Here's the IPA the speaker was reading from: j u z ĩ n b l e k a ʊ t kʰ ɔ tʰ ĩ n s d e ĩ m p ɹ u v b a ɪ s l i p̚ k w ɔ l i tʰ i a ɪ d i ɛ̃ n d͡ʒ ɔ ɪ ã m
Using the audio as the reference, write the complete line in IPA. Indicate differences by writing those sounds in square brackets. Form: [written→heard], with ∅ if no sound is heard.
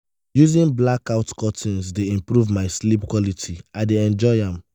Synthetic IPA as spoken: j u z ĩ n b l [e→a] k a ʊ t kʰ ɔ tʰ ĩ n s d e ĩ m p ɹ u v [b→m] a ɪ s l i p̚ k w ɔ l i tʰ i a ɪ d [i→e] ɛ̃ n d͡ʒ ɔ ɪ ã m